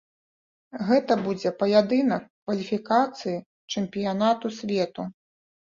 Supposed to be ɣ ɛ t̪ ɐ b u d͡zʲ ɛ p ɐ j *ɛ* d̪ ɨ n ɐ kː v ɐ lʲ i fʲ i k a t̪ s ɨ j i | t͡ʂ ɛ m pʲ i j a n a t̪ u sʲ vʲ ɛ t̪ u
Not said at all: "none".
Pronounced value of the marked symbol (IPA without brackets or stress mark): a